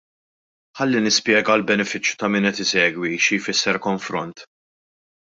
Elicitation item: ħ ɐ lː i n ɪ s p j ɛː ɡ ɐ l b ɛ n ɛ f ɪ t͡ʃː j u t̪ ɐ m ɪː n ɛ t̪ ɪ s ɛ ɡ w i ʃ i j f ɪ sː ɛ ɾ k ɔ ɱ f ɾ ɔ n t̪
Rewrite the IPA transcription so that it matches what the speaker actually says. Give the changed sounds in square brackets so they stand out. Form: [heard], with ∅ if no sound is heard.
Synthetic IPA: ħ ɐ lː i n ɪ s p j ɛː ɡ ɐ l b ɛ n ɛ f ɪ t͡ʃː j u t̪ ɐ m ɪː n ɛ t̪ ɪ s [ɛː] ɡ w i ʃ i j f ɪ sː ɛ ɾ k ɔ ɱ f ɾ ɔ n t̪